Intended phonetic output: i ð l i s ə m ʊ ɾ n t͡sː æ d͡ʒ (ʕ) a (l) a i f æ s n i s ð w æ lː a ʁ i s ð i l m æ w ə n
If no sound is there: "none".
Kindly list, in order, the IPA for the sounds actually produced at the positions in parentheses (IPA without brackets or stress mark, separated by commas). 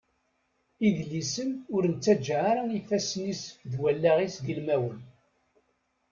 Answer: ʕ, ɾ